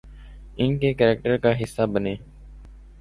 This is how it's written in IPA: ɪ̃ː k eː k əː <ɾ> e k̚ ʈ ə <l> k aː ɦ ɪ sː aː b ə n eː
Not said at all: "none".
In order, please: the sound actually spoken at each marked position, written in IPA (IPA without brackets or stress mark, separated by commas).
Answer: ɾ, ɾ